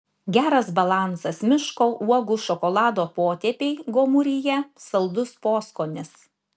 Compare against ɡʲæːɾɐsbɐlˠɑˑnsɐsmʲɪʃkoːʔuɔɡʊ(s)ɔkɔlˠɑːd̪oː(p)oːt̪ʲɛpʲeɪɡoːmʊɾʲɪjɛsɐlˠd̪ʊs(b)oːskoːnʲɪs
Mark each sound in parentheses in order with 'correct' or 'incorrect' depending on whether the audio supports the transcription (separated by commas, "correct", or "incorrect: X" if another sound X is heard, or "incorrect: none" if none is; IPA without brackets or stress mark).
incorrect: ʃ, correct, incorrect: p